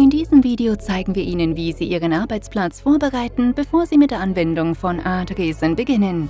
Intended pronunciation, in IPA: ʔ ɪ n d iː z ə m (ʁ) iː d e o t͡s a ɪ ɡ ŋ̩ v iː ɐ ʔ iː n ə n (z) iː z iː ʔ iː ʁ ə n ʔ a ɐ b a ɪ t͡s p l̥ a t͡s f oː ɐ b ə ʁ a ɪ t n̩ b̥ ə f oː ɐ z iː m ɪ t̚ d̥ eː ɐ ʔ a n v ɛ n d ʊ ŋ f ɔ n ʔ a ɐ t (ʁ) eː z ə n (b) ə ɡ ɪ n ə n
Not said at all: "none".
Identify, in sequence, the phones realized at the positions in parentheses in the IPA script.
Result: v, v, ʁ, b

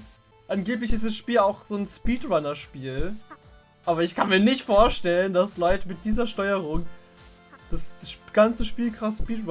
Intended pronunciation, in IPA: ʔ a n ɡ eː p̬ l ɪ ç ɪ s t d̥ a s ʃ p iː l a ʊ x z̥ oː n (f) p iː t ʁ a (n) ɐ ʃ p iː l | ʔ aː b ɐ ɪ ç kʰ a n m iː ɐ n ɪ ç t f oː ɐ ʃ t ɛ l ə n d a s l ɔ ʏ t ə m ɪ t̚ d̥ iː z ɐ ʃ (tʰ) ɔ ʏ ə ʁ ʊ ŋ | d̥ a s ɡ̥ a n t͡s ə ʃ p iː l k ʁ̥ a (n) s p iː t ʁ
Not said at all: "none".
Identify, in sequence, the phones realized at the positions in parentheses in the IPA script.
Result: s, n, t, none

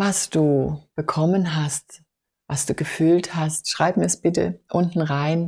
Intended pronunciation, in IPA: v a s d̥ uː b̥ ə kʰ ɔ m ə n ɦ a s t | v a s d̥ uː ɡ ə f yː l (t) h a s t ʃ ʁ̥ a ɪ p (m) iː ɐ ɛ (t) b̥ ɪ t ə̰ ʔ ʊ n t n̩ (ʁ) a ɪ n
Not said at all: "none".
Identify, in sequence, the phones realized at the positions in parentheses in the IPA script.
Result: t, m, s, ʁ

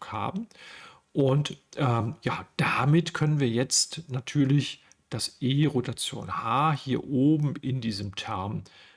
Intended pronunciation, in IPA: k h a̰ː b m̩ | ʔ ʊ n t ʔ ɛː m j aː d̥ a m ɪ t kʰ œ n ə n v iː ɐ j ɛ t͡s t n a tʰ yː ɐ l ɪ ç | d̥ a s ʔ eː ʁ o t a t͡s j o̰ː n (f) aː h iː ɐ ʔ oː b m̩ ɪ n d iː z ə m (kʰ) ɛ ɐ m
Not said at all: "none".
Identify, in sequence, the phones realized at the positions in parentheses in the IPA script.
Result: h, tʰ

